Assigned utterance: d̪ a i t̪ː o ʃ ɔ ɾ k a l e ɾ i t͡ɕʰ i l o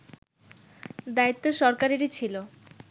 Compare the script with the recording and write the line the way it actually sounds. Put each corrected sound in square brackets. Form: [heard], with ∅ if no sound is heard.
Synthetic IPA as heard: d̪ a i t̪ː o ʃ ɔ ɾ k a [ɾ] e ɾ i t͡ɕʰ i l o